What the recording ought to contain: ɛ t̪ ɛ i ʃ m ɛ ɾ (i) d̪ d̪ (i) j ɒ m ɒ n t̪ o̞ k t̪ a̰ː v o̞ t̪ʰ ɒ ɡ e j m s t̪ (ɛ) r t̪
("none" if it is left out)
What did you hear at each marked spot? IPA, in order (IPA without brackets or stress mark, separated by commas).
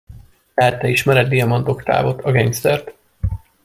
ɛ, i, ɛ